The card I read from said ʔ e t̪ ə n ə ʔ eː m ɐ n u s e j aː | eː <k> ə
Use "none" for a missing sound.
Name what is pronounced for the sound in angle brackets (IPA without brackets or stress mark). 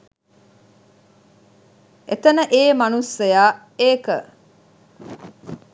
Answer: k